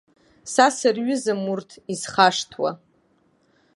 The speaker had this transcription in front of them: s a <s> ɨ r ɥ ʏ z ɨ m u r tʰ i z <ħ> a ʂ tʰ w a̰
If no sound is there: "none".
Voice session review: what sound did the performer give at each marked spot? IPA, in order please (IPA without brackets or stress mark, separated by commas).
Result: s, χ